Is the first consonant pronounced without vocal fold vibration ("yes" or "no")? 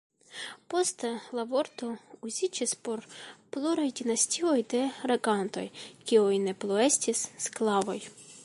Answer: yes